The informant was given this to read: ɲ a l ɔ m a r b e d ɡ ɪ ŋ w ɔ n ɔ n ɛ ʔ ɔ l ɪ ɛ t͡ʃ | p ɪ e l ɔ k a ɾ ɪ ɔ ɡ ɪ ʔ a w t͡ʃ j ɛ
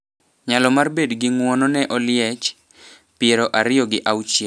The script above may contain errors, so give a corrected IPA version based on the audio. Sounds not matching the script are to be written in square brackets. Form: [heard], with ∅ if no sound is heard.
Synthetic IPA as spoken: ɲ a l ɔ m a r b e d ɡ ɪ ŋ w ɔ n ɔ n ɛ ʔ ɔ l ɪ ɛ t͡ʃ | p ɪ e [ɾ] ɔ [ʔ] a ɾ ɪ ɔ ɡ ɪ ʔ a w t͡ʃ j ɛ